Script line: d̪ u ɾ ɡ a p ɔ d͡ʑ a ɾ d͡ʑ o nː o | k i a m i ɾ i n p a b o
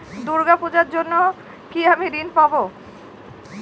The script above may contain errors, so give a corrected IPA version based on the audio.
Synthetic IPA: d̪ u ɾ ɡ a p u d͡ʑ a ɾ d͡ʑ o nː o | k i a m i ɾ i n p a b o